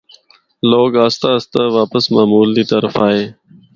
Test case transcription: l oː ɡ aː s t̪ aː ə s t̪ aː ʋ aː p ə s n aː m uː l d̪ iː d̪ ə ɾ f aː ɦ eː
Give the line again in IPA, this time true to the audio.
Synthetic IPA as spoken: l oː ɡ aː s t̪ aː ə s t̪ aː ʋ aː p ə s m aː m uː l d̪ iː t̪ ə ɾ f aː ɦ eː